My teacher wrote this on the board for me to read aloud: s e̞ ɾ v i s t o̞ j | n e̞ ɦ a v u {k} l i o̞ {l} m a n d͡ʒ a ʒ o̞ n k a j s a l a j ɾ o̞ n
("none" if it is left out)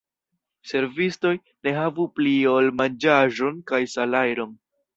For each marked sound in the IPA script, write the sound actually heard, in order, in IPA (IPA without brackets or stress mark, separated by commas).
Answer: p, l